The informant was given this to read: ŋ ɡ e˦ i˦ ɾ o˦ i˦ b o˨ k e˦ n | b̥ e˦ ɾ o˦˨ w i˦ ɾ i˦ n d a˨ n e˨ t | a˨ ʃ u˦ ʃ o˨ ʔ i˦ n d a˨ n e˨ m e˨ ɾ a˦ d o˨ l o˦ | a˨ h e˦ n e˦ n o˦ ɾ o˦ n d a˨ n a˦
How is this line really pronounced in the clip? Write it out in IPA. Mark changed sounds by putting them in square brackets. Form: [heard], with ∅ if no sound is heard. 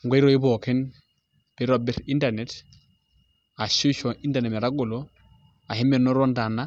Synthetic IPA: ŋ ɡ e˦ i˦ ɾ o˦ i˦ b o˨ k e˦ n | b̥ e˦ ɾ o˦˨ [b] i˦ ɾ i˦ n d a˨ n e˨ t | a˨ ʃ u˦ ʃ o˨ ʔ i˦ n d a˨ n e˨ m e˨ ɾ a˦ [ɡ] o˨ l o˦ | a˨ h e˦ [m] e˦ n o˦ ɾ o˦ n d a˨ n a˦